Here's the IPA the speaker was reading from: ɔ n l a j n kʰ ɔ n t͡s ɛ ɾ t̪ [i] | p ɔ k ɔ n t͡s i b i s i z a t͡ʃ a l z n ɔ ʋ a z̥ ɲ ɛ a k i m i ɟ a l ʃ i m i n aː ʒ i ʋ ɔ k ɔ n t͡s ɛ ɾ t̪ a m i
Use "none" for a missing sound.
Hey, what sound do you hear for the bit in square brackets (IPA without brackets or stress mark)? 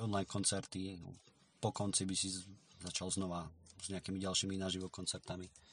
i